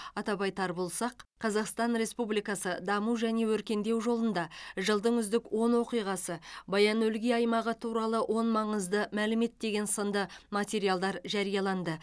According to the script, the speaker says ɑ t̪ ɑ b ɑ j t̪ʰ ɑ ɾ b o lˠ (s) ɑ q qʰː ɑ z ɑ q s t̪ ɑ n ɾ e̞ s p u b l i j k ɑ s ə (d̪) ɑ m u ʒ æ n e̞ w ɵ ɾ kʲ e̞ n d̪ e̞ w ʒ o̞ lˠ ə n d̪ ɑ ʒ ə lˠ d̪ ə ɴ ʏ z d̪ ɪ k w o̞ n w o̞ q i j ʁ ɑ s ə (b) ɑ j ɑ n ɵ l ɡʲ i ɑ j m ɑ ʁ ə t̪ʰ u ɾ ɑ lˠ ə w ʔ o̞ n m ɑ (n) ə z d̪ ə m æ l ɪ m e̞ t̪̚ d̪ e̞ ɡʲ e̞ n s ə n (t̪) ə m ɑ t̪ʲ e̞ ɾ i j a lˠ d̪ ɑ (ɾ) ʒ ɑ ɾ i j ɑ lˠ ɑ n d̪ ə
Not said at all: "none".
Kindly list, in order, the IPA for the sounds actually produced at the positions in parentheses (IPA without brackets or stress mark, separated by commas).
s, d̪, b, ɴ, d̪, ɾ